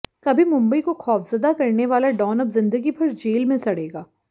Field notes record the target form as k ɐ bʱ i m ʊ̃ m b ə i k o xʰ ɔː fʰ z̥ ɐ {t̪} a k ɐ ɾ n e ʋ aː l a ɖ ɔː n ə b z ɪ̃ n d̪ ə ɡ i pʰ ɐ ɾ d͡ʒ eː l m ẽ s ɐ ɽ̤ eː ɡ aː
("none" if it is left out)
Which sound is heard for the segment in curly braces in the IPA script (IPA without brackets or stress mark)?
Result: d̪